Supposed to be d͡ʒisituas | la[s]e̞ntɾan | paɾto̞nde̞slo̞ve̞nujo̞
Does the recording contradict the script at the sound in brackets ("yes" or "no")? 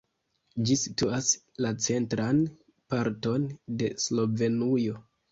yes